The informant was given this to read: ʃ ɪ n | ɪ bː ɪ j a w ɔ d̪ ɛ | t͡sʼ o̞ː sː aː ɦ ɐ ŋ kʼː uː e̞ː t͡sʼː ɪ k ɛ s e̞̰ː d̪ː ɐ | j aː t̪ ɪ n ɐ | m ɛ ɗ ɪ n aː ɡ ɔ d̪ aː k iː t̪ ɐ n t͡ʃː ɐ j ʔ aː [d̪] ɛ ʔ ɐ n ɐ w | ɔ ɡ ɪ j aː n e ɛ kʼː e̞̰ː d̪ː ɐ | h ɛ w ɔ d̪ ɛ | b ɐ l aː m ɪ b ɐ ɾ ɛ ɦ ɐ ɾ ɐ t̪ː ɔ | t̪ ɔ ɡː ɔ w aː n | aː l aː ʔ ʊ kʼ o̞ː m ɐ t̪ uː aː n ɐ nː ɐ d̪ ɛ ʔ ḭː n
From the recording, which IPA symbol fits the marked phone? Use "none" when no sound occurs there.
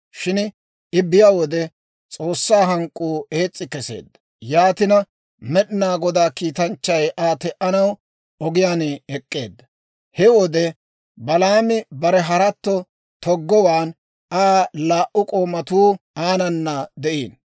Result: t̪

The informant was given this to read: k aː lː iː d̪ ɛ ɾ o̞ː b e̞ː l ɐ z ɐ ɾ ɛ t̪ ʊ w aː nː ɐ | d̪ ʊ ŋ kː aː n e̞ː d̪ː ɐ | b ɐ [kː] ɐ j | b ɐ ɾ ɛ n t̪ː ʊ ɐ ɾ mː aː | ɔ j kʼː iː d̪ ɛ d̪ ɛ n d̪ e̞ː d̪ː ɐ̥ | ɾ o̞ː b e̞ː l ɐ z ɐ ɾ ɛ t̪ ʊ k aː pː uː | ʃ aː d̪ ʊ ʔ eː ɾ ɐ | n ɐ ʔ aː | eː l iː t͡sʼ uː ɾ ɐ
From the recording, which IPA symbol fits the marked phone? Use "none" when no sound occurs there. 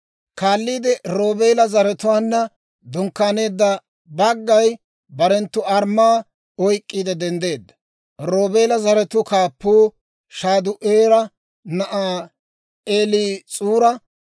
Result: ɡː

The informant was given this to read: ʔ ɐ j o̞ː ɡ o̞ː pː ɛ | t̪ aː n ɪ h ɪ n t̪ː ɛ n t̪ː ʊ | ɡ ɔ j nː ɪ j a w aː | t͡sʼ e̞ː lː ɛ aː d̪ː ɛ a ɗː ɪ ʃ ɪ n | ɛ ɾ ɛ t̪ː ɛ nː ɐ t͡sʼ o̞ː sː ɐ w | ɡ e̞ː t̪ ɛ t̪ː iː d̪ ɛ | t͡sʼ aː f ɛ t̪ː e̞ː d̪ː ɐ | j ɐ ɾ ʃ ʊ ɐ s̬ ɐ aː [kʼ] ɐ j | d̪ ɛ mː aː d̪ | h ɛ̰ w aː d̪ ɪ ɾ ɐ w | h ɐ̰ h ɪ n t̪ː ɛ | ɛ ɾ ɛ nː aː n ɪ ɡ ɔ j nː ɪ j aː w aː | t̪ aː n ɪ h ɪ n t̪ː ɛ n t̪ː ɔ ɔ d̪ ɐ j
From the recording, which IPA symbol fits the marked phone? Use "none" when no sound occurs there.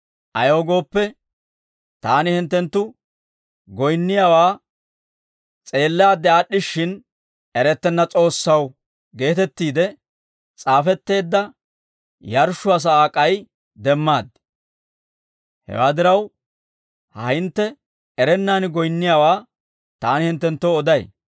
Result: kʼ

